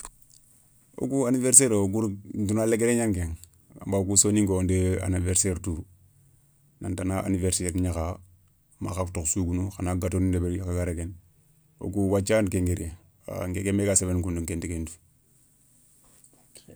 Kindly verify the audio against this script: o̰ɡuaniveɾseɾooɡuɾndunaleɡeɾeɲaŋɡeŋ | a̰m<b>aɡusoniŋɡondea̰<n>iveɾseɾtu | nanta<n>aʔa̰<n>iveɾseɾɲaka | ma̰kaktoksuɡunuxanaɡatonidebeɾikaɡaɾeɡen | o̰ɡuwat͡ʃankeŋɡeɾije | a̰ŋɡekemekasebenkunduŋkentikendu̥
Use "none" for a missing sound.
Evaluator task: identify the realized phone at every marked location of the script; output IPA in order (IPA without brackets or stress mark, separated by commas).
b, n, n, n